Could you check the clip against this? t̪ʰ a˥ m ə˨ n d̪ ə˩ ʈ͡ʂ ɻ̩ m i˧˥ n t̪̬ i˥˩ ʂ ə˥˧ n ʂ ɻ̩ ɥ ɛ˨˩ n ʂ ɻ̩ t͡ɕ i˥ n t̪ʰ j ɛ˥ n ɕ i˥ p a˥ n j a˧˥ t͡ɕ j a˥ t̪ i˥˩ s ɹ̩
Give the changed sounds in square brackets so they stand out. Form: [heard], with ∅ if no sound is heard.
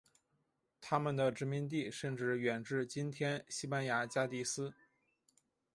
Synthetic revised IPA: t̪ʰ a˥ m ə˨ n d̪ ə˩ ʈ͡ʂ ɻ̩ m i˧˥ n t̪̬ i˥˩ ʂ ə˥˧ n [ʈ͡ʂ] ɻ̩ ɥ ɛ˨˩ n [ʈ͡ʂ] ɻ̩ t͡ɕ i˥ n t̪ʰ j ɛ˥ n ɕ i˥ p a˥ n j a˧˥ t͡ɕ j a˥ t̪ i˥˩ s ɹ̩